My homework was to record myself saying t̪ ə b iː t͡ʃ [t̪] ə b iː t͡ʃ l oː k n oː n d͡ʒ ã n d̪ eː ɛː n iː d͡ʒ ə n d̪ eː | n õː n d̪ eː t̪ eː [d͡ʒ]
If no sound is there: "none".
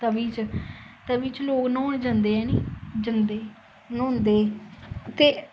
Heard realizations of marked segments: t̪, none

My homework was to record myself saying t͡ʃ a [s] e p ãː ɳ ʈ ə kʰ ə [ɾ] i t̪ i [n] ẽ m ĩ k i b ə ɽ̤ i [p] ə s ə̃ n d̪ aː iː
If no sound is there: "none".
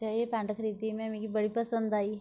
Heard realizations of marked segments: none, ɾ, m, p

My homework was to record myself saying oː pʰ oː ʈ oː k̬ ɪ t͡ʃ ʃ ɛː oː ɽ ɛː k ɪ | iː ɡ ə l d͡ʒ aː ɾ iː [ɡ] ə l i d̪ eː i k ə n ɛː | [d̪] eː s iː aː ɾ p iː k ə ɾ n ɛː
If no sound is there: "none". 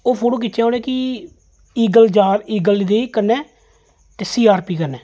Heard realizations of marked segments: ɡ, t̪

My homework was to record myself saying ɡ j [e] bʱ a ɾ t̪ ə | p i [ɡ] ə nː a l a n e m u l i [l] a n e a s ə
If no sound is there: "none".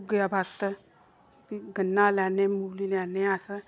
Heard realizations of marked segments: a, ɡ, l

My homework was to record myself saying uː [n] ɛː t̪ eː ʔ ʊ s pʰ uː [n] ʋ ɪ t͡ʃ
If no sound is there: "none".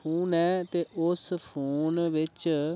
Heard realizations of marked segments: n, n

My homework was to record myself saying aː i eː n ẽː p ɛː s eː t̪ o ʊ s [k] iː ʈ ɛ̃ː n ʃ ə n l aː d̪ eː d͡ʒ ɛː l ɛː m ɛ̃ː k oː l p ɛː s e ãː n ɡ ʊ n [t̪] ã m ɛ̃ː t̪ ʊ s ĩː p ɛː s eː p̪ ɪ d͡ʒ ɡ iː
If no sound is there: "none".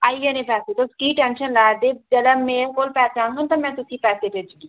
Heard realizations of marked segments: k, t̪

